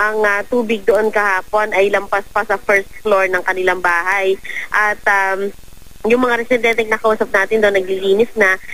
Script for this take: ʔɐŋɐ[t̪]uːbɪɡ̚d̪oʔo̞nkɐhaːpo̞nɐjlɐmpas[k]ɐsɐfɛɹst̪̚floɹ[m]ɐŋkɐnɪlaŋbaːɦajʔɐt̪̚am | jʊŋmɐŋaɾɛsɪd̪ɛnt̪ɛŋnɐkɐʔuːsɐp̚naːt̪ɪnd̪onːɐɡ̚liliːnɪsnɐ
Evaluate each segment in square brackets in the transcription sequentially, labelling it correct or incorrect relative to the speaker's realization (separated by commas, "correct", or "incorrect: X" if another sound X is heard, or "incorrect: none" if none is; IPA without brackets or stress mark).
correct, incorrect: p, incorrect: n